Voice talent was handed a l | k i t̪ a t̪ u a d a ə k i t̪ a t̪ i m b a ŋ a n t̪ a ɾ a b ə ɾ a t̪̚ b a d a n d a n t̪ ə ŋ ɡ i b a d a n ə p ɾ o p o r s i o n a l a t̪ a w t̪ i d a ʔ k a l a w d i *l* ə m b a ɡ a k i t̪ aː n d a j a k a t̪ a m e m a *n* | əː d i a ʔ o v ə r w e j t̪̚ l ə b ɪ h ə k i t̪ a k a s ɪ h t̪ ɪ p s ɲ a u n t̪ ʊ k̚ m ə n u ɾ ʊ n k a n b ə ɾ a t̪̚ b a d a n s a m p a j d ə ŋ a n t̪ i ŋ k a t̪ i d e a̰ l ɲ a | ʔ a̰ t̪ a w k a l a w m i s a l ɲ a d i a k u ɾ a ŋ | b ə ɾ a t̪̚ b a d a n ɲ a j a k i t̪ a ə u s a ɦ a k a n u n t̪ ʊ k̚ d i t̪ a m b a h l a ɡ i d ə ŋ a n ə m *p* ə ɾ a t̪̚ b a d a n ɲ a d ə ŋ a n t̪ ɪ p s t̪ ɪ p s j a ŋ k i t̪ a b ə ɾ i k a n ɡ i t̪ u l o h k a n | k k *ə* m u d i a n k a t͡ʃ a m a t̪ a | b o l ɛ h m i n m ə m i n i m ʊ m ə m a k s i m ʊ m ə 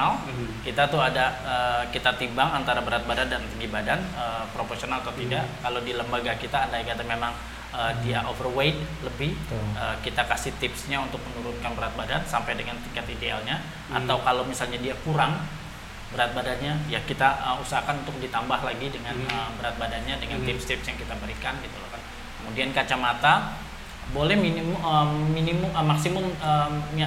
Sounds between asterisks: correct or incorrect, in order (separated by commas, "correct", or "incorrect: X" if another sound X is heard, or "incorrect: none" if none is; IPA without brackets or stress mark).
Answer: correct, incorrect: ŋ, incorrect: b, correct